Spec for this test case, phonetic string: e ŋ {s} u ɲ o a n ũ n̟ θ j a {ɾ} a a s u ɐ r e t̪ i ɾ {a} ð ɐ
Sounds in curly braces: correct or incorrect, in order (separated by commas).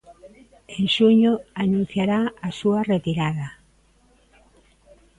incorrect, correct, correct